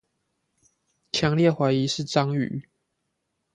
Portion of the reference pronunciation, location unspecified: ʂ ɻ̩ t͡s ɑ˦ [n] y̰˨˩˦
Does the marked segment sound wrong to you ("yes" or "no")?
yes